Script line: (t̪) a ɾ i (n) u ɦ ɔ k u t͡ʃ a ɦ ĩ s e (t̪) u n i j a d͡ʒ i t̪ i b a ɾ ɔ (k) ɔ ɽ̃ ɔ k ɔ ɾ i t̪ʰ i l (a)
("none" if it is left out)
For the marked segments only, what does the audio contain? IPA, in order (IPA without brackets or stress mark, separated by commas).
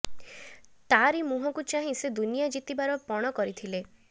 t̪, m, d̪, p, e